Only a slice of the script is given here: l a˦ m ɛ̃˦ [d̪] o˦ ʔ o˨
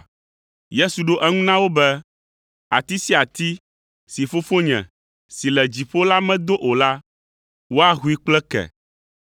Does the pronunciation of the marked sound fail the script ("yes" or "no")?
no